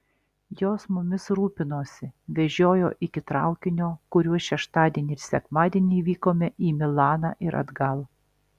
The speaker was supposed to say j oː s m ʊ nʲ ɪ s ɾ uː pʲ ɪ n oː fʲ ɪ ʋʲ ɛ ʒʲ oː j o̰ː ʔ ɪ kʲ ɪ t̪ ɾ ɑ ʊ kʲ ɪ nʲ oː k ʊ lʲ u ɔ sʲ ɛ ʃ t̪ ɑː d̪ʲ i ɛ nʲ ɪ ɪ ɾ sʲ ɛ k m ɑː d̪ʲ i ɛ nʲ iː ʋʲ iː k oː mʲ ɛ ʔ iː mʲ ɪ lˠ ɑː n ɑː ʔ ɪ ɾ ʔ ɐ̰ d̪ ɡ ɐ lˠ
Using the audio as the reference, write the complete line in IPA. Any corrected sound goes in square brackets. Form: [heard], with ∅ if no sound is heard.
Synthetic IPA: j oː s m ʊ [mʲ] ɪ s ɾ uː pʲ ɪ n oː [sʲ] ɪ ʋʲ ɛ ʒʲ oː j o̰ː ʔ ɪ kʲ ɪ t̪ ɾ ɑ ʊ kʲ ɪ nʲ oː k ʊ [ɾʲ] u ɔ [ʃʲ] ɛ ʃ t̪ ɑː d̪ʲ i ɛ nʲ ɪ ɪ ɾ sʲ ɛ k m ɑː d̪ʲ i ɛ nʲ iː ʋʲ iː k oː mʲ ɛ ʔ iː mʲ ɪ lˠ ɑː n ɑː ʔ ɪ ɾ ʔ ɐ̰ d̪ ɡ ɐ lˠ